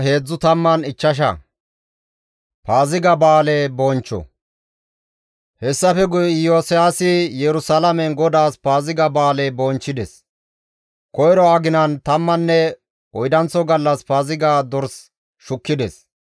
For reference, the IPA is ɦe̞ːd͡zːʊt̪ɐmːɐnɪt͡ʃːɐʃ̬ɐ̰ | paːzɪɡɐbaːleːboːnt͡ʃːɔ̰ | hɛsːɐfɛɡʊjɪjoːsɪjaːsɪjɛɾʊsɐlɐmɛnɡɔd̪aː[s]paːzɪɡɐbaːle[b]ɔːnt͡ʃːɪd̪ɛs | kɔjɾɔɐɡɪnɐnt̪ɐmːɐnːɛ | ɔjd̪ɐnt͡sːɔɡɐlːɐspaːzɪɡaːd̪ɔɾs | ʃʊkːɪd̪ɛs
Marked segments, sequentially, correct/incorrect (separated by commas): correct, correct